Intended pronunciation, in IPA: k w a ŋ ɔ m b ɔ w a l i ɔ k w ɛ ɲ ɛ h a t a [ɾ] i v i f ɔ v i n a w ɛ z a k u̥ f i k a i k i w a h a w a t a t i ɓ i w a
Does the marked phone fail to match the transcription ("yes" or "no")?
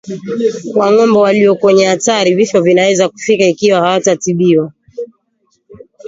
no